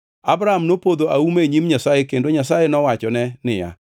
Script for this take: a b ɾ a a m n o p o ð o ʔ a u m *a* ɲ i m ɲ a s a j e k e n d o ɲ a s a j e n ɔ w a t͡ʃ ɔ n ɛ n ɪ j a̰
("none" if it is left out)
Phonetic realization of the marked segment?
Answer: e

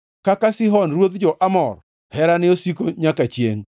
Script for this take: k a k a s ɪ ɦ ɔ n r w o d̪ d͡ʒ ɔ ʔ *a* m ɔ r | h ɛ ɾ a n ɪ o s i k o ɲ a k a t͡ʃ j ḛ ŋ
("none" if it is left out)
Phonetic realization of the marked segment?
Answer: a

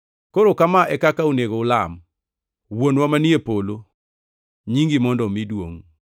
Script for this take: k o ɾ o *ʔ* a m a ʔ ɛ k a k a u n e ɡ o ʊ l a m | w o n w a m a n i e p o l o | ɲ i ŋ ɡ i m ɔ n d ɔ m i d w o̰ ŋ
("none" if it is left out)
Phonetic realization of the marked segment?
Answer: k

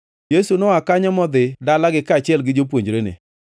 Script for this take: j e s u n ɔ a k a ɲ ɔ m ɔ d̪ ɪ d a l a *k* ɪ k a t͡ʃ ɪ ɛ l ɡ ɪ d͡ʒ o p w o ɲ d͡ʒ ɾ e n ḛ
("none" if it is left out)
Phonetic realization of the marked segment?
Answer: ɡ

